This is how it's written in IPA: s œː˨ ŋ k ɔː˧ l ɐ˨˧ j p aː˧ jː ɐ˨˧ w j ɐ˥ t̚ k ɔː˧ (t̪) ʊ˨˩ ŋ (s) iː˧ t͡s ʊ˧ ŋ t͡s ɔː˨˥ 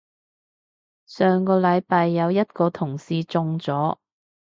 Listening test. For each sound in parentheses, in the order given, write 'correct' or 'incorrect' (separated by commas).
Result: incorrect, correct